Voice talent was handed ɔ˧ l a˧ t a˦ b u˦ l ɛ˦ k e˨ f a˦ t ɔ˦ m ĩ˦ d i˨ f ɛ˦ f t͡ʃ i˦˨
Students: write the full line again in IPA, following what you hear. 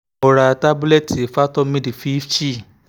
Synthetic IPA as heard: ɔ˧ ɾ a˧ t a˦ b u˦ l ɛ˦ t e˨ f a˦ t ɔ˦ m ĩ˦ d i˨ f i˦ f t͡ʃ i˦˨